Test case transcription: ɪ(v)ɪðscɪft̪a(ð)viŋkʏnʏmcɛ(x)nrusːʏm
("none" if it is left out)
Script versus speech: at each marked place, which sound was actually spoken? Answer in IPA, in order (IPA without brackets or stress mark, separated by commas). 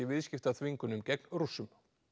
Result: v, θ, k